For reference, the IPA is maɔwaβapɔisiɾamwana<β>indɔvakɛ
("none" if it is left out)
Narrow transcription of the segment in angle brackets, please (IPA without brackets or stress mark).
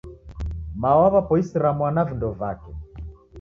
v